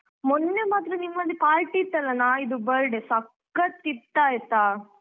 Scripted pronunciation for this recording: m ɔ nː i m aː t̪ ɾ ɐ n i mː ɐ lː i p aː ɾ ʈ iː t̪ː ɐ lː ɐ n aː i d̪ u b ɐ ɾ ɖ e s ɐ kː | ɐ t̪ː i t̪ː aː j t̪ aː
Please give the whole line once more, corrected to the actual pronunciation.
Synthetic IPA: m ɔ nː e m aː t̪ ɾ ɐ n i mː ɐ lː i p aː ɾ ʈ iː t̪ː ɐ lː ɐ n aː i d̪ u b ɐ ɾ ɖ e s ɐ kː | ɐ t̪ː i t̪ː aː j t̪ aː